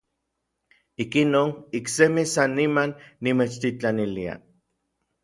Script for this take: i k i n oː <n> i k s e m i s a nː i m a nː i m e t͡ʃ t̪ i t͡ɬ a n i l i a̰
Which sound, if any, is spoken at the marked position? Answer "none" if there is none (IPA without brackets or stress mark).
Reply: n